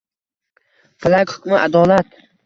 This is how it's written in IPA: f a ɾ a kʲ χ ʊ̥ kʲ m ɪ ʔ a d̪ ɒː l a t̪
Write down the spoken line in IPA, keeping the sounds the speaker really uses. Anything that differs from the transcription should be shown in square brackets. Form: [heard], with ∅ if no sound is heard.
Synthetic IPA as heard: f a [l] a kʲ [h] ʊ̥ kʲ m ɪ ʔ a d̪ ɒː l a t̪